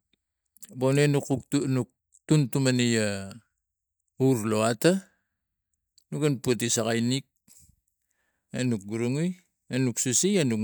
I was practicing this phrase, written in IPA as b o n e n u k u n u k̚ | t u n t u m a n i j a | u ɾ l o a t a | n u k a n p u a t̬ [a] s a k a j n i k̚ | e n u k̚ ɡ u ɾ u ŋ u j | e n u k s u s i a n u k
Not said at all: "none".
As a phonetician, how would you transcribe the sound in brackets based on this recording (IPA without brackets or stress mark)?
i